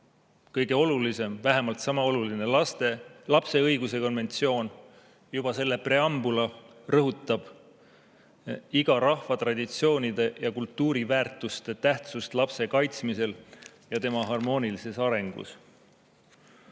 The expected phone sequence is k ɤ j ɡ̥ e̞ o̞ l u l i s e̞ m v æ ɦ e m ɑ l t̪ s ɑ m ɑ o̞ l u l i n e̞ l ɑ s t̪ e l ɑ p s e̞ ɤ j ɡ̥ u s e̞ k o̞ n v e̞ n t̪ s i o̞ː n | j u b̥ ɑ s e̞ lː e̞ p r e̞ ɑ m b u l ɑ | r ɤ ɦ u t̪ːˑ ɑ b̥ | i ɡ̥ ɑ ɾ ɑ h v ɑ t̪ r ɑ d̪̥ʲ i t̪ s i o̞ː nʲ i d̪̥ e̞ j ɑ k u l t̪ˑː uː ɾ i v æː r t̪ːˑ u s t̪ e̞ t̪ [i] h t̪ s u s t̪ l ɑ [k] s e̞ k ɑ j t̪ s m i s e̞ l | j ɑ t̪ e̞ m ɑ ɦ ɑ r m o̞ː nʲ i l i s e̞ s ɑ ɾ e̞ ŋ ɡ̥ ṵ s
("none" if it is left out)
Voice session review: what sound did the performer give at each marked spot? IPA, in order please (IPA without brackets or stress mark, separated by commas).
æ, p